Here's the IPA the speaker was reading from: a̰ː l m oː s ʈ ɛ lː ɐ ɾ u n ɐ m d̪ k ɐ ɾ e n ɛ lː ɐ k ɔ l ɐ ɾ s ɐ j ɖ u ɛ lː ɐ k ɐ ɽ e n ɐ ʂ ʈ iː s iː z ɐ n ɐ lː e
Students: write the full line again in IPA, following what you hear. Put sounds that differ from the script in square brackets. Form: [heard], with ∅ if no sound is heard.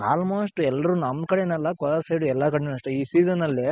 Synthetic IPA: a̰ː l m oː s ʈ ɛ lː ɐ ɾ u n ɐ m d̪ k ɐ [ɽ] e n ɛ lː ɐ k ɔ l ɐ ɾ s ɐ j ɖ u ɛ lː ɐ k ɐ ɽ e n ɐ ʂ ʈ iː s iː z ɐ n ɐ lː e